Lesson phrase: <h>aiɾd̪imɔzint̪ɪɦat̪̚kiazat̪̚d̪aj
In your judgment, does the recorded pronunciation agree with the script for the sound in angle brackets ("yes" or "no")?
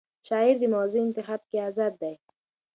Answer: no